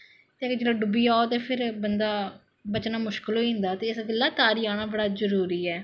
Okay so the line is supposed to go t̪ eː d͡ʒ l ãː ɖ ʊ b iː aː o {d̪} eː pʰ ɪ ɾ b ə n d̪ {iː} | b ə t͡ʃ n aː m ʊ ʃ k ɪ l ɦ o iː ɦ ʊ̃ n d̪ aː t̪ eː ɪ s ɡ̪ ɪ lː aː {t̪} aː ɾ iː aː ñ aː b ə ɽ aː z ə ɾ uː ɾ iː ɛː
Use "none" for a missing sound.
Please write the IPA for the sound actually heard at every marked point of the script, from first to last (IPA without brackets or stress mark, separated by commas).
t̪, aː, t̪